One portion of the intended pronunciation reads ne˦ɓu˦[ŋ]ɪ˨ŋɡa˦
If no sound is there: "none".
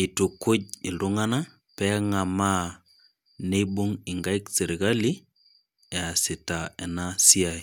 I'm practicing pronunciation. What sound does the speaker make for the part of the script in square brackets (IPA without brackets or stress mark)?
ŋ